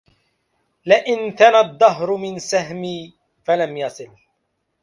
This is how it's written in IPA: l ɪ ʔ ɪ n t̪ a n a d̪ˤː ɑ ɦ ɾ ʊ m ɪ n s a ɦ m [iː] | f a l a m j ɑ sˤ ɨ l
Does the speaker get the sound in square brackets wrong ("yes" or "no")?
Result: no